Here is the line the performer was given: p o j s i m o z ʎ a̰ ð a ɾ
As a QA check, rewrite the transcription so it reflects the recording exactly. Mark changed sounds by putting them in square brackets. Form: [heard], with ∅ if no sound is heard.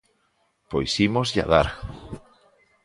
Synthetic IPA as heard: p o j s i m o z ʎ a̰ ð a ɾ